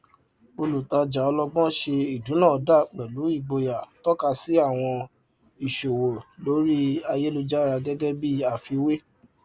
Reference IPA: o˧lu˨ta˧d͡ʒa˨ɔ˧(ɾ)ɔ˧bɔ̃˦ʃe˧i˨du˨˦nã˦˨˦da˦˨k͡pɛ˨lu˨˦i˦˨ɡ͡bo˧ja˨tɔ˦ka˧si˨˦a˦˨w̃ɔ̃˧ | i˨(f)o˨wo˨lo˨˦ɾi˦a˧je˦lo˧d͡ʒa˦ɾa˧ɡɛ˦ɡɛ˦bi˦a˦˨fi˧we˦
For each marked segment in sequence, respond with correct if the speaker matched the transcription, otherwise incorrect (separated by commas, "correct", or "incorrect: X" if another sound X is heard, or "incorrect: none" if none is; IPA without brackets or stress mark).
incorrect: l, incorrect: ʃ